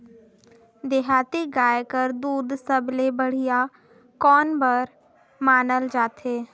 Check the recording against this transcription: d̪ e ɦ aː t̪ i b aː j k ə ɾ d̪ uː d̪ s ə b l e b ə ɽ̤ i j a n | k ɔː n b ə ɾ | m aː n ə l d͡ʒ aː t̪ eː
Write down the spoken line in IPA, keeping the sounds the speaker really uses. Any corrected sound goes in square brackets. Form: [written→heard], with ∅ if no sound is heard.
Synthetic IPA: d̪ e ɦ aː t̪ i [b→ɡ] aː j k ə ɾ d̪ uː d̪ s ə b l e b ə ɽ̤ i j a [n→∅] | k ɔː n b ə ɾ | m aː n ə l d͡ʒ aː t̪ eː